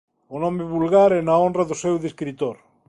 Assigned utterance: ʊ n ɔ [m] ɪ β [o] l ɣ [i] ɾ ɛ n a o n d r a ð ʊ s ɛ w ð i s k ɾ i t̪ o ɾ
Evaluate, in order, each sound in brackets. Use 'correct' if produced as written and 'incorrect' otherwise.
correct, incorrect, incorrect

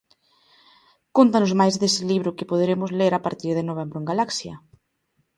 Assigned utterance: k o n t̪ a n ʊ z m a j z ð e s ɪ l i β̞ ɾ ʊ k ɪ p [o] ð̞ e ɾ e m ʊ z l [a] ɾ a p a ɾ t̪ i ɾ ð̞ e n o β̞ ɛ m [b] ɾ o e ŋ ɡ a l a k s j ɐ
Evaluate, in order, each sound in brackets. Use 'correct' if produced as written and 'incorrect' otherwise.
correct, incorrect, correct

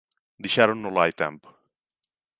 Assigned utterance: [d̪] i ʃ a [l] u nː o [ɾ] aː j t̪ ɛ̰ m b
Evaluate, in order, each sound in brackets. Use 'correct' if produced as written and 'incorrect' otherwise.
correct, incorrect, incorrect

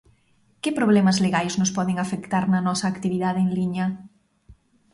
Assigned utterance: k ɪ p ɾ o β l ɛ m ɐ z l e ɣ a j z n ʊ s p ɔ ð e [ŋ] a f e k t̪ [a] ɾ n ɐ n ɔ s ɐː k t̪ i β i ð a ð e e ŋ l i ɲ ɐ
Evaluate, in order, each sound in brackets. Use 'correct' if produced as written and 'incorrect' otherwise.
correct, correct

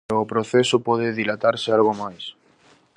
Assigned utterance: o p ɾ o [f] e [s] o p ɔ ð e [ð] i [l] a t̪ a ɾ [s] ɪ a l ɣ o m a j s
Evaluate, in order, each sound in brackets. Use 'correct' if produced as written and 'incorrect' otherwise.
incorrect, correct, correct, correct, correct

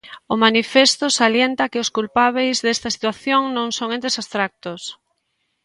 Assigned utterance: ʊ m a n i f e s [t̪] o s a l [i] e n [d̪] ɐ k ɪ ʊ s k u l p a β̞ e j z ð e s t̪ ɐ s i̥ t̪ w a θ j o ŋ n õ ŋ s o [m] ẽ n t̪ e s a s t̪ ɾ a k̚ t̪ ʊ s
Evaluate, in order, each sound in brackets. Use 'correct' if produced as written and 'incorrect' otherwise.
correct, incorrect, incorrect, incorrect

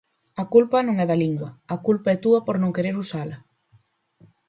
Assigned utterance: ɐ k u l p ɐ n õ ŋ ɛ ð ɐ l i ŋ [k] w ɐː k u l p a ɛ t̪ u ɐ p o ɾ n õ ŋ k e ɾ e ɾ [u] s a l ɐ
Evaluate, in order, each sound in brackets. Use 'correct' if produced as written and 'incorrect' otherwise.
incorrect, correct

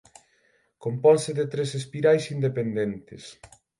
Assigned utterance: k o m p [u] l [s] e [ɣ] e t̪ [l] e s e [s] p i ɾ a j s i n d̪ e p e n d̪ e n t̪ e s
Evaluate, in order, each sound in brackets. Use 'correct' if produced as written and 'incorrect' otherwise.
incorrect, correct, incorrect, incorrect, correct

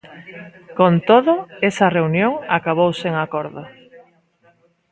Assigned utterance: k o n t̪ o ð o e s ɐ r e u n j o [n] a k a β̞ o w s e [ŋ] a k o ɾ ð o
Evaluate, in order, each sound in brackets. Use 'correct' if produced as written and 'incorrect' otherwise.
incorrect, correct

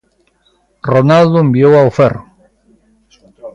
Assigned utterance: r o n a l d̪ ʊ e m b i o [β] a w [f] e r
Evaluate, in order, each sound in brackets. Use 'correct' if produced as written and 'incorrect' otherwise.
incorrect, correct

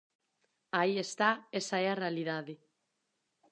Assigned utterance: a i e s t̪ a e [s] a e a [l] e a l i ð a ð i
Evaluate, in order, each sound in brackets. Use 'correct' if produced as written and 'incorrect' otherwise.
correct, incorrect

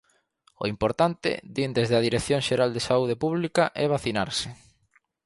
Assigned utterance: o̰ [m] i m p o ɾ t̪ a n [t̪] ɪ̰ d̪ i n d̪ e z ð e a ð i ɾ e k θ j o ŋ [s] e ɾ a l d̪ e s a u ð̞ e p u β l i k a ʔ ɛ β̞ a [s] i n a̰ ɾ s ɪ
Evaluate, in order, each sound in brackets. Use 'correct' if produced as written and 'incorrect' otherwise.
incorrect, correct, incorrect, incorrect

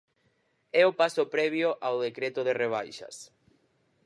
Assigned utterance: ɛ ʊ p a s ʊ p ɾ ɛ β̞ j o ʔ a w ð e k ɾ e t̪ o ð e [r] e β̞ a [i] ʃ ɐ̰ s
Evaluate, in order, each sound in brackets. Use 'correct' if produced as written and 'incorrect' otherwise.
correct, incorrect

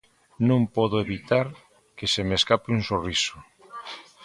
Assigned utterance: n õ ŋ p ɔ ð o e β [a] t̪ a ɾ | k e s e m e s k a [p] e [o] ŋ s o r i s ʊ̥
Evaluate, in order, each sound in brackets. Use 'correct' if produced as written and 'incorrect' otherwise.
incorrect, correct, incorrect

